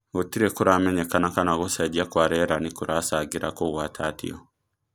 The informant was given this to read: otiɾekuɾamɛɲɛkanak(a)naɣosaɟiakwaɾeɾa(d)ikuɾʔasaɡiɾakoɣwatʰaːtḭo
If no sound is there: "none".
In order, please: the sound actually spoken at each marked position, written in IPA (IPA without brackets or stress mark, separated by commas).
a, n